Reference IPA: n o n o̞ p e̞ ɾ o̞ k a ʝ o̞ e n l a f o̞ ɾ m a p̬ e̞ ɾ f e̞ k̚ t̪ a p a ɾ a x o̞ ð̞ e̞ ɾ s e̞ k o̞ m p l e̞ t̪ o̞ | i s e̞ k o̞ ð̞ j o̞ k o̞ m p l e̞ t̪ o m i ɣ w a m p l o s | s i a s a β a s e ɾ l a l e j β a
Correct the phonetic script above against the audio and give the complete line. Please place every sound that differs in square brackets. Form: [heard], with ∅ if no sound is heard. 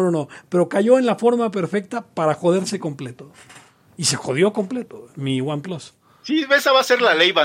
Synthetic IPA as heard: n o n o̞ p e̞ ɾ o̞ k a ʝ o̞ e n l a f o̞ ɾ m a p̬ e̞ ɾ f e̞ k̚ t̪ a p a ɾ a x o̞ ð̞ e̞ ɾ s e̞ k o̞ m p l e̞ t̪ o̞ | i s e̞ [x] o̞ ð̞ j o̞ k o̞ m p l e̞ t̪ o m i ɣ w a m p l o s | s i [e] s a β a s e ɾ l a l e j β a